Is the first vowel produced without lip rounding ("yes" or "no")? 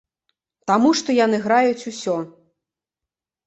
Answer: yes